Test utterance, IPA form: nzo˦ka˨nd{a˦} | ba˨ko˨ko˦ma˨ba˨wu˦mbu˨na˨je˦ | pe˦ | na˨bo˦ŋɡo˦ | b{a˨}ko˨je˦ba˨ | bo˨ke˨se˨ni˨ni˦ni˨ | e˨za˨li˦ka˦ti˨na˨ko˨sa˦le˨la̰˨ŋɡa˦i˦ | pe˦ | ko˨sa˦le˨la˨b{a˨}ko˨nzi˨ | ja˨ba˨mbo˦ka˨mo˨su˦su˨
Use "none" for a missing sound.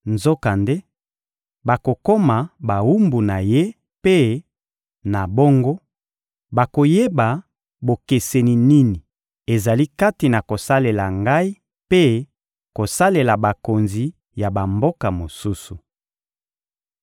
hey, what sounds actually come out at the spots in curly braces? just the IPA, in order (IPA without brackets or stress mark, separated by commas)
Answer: e˦, a˨, a˨